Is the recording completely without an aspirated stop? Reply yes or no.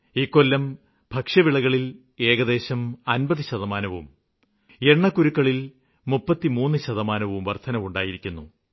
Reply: no